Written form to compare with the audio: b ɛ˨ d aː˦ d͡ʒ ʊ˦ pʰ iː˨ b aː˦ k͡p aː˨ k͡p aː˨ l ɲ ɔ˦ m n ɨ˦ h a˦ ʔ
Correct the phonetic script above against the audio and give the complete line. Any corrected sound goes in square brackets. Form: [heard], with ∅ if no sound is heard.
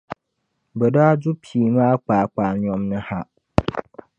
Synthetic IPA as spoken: b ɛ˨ d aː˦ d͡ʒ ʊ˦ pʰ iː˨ [m] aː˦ k͡p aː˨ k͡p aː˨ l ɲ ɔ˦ m n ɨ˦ h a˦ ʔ